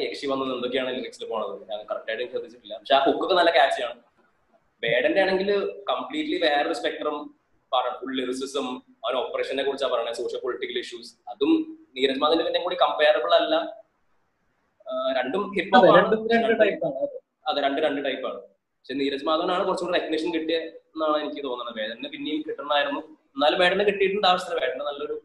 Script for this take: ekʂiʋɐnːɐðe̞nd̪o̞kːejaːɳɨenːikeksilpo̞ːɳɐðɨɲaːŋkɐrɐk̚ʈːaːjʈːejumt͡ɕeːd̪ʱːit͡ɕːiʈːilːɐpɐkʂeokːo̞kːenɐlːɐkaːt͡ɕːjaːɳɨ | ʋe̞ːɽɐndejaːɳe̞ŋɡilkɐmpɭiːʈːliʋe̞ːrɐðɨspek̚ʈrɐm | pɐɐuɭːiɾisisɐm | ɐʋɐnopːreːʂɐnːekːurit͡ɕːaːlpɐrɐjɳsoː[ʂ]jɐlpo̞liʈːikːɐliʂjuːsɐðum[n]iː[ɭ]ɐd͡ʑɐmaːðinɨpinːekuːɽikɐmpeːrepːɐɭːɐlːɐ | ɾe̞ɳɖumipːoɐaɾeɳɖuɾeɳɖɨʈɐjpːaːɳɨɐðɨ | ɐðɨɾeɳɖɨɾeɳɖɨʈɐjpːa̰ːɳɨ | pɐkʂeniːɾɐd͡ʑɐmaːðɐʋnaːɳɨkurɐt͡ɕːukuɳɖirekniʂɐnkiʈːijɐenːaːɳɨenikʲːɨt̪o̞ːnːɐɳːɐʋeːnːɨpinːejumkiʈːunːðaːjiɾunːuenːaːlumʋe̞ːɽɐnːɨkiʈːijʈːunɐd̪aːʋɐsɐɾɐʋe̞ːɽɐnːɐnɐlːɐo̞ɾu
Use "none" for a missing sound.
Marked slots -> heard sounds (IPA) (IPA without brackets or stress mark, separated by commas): ʂ, n, ɾ